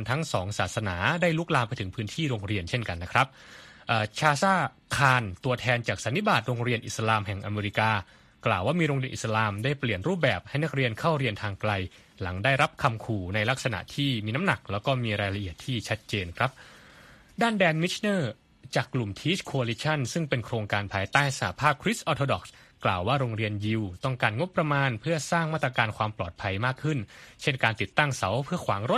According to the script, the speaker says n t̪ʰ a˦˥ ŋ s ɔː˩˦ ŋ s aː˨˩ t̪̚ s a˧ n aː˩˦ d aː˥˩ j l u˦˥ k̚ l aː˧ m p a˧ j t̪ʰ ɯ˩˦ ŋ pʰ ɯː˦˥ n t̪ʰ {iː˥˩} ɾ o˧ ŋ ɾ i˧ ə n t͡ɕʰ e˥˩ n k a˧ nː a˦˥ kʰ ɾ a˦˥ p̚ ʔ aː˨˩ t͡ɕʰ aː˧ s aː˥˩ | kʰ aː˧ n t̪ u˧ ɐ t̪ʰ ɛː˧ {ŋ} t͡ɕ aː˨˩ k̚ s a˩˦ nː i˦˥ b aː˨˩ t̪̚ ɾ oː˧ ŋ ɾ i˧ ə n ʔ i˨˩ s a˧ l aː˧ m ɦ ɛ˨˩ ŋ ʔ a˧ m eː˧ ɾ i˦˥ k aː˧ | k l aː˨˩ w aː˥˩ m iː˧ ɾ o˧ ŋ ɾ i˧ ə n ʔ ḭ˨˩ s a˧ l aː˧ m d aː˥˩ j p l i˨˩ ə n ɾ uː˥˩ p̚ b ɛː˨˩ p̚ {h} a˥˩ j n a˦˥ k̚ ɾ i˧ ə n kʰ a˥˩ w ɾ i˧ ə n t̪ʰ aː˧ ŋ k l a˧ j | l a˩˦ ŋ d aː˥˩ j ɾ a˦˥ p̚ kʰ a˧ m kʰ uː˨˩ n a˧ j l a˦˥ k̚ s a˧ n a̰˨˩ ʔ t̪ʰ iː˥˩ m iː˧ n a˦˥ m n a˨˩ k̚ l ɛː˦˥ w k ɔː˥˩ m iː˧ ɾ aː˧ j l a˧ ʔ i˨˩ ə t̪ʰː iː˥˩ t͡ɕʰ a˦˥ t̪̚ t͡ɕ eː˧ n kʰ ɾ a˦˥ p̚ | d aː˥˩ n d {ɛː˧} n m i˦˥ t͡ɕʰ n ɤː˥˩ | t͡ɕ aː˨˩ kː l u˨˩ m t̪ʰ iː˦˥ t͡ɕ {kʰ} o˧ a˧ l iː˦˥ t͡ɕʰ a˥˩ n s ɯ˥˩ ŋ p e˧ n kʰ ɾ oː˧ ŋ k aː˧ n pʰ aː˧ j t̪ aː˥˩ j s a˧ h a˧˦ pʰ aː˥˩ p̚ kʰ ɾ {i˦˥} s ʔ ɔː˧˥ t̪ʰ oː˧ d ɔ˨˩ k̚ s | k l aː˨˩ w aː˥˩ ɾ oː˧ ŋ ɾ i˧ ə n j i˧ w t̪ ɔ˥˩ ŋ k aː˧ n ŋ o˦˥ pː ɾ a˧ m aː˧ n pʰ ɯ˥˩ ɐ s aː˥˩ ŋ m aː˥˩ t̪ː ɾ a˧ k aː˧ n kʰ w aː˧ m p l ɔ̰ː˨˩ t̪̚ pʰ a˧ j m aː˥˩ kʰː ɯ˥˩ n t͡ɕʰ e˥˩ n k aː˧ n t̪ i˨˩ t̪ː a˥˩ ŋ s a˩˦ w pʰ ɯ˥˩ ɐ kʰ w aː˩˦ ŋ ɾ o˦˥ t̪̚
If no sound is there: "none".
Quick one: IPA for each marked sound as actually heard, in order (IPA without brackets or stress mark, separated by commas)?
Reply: iː˥˩, n, h, ɛː˧, kʰ, i˦˥